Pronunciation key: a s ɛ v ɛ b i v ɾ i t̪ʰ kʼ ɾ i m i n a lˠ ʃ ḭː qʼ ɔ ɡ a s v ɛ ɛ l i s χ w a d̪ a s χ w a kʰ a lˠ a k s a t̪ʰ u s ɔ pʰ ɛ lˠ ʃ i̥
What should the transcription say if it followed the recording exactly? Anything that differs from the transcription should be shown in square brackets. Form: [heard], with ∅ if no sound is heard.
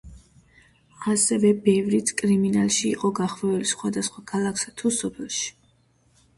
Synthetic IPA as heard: a s ɛ v ɛ b [ɛ] v ɾ i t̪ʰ kʼ ɾ i m i n a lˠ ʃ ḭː qʼ ɔ ɡ a [χ] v ɛ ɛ l i s χ w a d̪ a s χ w a kʰ a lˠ a k s a t̪ʰ u s ɔ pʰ ɛ lˠ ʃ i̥